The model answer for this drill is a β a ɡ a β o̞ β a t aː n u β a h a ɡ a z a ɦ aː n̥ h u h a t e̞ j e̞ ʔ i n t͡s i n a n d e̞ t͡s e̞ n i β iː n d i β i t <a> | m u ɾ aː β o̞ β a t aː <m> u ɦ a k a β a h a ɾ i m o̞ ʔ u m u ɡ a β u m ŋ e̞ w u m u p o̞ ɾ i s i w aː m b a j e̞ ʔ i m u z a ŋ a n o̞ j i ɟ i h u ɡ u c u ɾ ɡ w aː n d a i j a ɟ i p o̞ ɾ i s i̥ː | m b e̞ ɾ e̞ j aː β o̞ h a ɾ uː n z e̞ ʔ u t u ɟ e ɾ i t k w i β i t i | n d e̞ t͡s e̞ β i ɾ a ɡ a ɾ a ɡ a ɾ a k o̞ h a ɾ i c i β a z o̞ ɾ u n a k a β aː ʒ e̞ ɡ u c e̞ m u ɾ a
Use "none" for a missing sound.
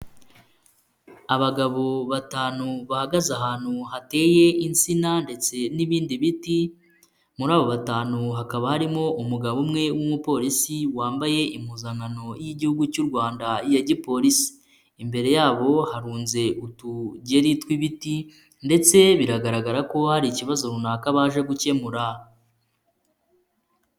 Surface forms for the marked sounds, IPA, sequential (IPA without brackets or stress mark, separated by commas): i, n